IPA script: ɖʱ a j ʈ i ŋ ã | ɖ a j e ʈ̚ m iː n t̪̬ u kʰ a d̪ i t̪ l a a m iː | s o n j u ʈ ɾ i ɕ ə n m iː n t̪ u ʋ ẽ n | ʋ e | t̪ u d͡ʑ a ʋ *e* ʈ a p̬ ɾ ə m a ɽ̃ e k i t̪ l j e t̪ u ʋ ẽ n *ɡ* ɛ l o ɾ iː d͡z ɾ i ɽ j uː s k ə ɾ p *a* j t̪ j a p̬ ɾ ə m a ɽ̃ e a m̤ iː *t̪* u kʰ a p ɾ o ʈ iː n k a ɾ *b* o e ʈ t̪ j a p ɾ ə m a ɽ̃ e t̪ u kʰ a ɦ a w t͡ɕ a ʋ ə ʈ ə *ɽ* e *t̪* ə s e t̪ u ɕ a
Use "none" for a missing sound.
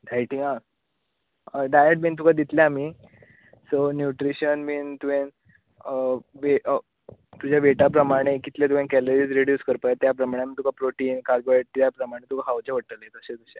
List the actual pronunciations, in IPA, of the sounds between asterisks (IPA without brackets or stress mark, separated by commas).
e, k, a, t̪, ɡ, l, t̪